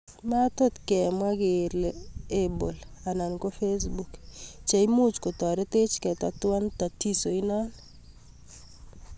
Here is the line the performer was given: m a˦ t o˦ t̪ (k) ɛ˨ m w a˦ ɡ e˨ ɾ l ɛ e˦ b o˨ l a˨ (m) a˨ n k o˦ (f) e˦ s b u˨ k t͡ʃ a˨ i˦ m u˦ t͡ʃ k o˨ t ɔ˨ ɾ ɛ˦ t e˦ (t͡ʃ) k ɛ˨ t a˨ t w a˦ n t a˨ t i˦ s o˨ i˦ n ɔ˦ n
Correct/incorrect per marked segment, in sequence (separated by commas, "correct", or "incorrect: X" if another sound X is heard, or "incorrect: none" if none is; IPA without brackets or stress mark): correct, incorrect: n, correct, correct